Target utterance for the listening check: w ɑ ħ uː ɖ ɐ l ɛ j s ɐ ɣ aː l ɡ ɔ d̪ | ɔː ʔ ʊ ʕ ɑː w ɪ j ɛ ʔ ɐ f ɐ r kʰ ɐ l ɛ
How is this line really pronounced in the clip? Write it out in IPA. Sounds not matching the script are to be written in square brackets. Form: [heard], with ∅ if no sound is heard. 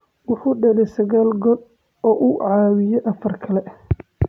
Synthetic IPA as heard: w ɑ ħ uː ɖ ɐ l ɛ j s ɐ ɣ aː l ɡ ɔ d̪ | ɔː ʔ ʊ ʕ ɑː w ɪ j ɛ ʔ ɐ f ɐ r kʰ ɐ l ɛ